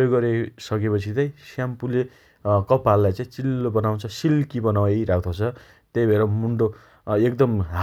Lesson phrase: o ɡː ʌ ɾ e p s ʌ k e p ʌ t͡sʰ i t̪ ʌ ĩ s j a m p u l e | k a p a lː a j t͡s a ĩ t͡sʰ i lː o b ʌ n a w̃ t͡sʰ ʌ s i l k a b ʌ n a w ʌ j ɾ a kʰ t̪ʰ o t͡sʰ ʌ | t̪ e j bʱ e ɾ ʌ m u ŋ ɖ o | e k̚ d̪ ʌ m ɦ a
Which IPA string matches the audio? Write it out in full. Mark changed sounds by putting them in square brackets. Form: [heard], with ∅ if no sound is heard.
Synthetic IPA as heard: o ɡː ʌ ɾ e [∅] s ʌ k e p ʌ t͡sʰ i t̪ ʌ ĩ s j a m p u l e | k [ʌ] p a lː a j t͡s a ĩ [t͡s] i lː o b ʌ n a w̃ t͡sʰ ʌ s i l k [i] b ʌ n a w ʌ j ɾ a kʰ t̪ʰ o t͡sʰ ʌ | t̪ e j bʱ e ɾ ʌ m u [ɳ] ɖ o | e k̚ d̪ ʌ m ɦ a